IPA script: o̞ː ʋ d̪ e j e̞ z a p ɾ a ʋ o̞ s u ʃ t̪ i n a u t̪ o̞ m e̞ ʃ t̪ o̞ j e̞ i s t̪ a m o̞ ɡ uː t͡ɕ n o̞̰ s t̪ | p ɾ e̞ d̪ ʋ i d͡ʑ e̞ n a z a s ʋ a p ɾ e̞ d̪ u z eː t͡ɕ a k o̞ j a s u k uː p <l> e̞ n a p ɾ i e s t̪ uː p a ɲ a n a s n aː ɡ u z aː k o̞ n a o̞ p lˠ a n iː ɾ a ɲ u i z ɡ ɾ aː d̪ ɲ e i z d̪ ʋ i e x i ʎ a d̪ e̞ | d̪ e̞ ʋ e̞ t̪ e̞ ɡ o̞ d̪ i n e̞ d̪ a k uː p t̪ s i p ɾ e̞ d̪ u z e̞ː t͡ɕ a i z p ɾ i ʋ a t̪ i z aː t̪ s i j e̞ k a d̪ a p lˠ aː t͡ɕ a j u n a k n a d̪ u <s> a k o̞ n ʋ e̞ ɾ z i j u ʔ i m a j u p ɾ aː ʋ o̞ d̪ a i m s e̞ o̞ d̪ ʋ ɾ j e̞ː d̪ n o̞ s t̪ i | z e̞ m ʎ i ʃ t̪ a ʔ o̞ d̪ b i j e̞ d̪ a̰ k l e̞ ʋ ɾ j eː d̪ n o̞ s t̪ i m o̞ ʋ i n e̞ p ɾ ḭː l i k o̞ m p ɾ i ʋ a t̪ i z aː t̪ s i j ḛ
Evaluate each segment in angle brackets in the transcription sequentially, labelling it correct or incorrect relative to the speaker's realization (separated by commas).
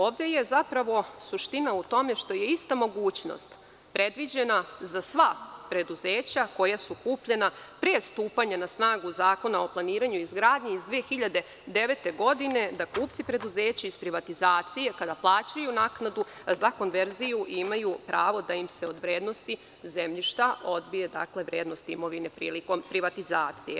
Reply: incorrect, incorrect